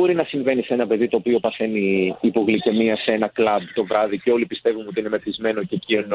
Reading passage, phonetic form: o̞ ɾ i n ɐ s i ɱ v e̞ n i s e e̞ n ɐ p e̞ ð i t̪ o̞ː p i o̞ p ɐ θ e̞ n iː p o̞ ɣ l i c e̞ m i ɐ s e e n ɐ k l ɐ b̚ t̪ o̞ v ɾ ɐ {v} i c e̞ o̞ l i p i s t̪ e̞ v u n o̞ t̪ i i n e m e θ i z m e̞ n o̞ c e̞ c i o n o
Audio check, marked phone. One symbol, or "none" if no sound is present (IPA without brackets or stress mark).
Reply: ð